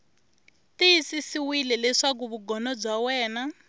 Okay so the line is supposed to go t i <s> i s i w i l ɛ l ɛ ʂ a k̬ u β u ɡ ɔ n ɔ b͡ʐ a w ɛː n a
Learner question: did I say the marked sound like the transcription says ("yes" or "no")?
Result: yes